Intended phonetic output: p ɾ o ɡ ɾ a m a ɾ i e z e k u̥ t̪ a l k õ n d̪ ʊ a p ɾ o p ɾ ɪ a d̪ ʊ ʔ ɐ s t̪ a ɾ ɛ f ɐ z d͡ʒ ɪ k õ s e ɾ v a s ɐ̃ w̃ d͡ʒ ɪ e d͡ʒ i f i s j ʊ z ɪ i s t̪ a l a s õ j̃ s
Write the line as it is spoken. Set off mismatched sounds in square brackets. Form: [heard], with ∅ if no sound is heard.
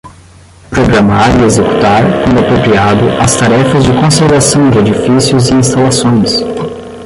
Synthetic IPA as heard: p ɾ o ɡ ɾ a m a ɾ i e z e k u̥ t̪ a [ɾ] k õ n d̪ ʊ a p ɾ o p ɾ [i] a d̪ ʊ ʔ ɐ s t̪ a ɾ ɛ f ɐ z d͡ʒ ɪ k õ s e ɾ v a s ɐ̃ w̃ d͡ʒ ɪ e d͡ʒ i f i s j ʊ z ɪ [ĩ] s t̪ a l a s õ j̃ s